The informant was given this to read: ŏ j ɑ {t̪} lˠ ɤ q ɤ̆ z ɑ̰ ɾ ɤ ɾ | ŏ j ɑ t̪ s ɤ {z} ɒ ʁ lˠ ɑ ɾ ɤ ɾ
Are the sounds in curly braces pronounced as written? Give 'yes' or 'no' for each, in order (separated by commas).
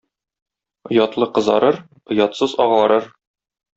yes, yes